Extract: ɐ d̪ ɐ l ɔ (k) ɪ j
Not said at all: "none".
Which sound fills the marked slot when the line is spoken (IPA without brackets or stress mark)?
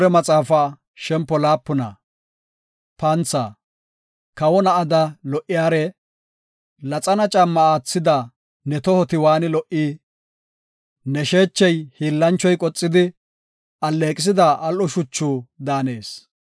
ʔ